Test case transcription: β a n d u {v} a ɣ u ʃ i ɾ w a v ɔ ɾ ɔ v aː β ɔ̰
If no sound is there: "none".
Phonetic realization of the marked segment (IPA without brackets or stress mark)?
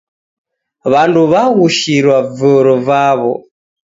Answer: β